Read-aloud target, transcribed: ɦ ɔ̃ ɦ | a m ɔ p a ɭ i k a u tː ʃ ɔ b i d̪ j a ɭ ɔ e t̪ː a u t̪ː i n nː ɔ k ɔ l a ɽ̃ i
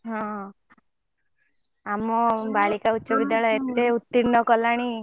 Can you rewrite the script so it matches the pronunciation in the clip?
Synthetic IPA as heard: ɦ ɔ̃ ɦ | a m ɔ b a ɭ i k a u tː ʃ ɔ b i d̪ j a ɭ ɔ e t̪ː e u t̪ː i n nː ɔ k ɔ l a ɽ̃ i